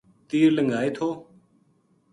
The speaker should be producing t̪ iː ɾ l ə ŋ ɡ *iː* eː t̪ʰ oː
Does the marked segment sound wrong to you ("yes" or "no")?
yes